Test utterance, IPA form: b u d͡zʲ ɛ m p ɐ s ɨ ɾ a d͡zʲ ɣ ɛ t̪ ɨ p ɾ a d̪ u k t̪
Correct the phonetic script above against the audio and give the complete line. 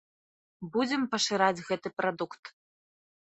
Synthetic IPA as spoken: b u d͡zʲ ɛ m p ɐ ʂ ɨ ɾ a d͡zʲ ɣ ɛ t̪ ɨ p ɾ a d̪ u k t̪

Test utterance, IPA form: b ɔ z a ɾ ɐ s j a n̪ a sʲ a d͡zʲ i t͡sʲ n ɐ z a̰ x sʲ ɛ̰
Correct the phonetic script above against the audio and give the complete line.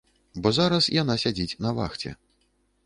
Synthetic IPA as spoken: b ɔ z a ɾ ɐ s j a n̪ a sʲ a d͡zʲ i t͡sʲ n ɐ v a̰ x t͡sʲ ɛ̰

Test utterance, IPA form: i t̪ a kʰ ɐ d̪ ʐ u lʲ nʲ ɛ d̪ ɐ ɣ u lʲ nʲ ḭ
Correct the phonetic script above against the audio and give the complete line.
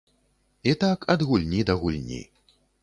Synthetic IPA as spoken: i t̪ a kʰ ɐ d̪ ɣ u lʲ nʲ i d̪ ɐ ɣ u lʲ nʲ ḭ

